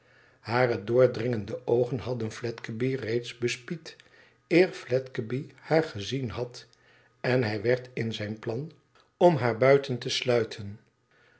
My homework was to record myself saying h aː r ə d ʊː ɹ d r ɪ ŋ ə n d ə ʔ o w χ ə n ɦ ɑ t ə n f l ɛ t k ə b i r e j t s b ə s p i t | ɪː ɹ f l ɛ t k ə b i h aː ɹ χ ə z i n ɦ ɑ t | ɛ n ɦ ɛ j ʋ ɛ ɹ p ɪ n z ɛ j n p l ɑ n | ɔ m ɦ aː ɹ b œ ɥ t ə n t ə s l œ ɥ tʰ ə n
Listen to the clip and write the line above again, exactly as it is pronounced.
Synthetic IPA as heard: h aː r ə d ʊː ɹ d r ɪ ŋ ə n d ə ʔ o w χ ə n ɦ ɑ d ə n f l ɛ t k ə b i r e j t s b ə s p i t | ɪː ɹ f l ɛ t k ə b i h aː ɹ χ ə z i n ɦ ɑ t | ɛ n ɦ ɛ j ʋ ɛ ɹ t ɪ n z ɛ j n p l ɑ n | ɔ m ɦ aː ɹ b œ ɥ t ə n t ə s l œ ɥ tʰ ə n